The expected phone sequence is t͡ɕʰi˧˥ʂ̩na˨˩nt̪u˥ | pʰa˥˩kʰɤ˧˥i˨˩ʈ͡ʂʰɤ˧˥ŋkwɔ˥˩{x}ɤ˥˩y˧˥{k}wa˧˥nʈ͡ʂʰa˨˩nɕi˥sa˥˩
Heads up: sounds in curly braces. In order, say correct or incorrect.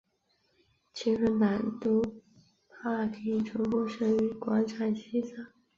incorrect: ʂ, correct

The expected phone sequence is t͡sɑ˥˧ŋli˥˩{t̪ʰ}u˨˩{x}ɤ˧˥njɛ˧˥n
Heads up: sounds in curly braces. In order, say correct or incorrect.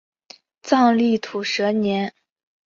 correct, incorrect: ʂ

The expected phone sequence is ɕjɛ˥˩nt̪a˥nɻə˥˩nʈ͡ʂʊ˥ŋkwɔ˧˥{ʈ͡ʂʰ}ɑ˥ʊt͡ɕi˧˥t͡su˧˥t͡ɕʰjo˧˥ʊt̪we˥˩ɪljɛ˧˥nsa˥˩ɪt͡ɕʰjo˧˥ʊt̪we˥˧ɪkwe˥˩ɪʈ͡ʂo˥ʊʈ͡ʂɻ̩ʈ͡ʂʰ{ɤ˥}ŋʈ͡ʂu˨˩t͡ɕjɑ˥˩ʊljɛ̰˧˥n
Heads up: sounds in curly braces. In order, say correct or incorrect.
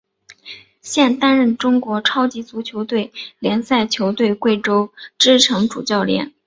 correct, incorrect: ɤ˧˥

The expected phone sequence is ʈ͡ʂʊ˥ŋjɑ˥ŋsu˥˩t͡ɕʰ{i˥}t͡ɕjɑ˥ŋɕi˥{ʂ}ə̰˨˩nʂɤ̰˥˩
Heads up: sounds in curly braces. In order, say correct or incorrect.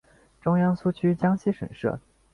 incorrect: y˥, correct

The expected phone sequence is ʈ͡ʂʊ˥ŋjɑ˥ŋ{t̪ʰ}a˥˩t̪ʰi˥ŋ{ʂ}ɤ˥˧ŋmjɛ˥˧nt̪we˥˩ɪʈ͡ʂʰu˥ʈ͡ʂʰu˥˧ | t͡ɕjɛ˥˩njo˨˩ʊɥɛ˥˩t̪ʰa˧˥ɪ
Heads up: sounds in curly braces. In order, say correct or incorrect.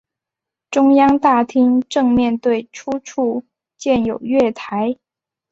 incorrect: t̪, incorrect: ʈ͡ʂ

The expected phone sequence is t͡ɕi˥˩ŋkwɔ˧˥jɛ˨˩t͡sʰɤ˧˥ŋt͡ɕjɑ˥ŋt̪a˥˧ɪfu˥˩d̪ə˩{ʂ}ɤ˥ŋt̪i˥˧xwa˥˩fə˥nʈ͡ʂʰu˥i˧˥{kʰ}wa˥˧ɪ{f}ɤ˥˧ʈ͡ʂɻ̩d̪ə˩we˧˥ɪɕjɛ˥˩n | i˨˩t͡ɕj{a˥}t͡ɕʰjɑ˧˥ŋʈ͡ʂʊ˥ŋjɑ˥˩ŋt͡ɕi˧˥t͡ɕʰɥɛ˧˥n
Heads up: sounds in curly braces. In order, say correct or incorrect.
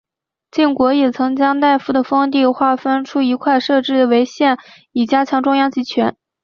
incorrect: f, correct, incorrect: ʂ, correct

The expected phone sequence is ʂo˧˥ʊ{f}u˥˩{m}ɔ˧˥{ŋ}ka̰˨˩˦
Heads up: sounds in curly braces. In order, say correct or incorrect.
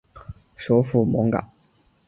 correct, correct, correct

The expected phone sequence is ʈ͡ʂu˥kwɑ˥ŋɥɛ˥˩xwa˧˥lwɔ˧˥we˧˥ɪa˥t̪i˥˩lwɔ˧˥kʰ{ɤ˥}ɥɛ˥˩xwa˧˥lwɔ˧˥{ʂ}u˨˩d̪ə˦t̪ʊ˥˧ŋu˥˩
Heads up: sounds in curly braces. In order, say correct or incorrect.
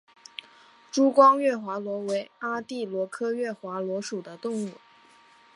correct, correct

